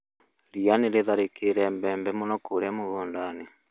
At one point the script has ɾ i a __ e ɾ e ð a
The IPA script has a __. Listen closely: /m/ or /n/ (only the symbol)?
n